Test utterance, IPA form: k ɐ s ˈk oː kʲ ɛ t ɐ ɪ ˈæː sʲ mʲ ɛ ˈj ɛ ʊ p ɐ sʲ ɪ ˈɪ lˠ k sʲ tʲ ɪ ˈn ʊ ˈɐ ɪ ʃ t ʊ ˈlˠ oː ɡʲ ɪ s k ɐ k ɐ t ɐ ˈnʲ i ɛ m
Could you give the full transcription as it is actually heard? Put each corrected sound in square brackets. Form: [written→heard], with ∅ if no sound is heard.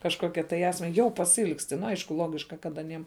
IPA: k ɐ [s→ʃ] ˈk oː kʲ ɛ t ɐ ɪ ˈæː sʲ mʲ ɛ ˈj ɛ ʊ p ɐ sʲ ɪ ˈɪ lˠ k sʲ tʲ ɪ ˈn ʊ ˈɐ ɪ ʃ [t→k] ʊ ˈlˠ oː ɡʲ ɪ [s→ʃ] k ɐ k ɐ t ɐ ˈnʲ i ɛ m